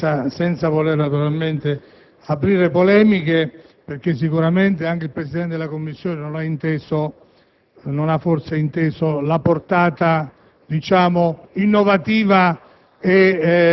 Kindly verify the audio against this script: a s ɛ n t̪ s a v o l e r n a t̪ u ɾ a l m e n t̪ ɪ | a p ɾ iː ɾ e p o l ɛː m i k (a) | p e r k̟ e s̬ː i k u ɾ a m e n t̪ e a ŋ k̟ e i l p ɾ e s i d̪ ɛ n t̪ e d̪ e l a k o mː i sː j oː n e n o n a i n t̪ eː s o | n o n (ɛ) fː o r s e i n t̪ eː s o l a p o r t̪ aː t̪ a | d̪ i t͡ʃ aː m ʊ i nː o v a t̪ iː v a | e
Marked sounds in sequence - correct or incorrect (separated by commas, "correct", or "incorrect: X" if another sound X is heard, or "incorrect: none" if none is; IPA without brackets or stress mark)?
incorrect: e, incorrect: a